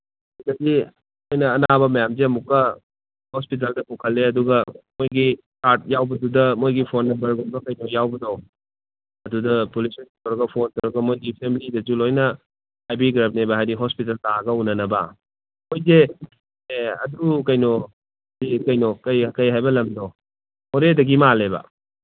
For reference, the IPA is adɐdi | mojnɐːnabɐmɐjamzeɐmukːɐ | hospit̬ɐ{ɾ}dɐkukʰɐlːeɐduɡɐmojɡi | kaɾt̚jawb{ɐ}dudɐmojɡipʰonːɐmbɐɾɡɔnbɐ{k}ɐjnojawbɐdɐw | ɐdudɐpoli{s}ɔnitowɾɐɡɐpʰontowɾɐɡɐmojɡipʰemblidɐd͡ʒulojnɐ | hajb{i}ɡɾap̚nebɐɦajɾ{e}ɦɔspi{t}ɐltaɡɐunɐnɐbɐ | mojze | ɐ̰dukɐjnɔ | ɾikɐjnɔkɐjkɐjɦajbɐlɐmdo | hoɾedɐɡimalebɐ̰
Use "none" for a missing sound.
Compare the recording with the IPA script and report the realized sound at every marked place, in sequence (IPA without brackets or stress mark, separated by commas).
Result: l, ɐ, k, s, i, i, t